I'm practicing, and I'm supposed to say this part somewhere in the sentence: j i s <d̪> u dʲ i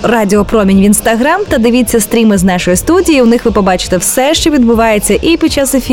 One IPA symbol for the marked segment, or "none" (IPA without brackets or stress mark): t̪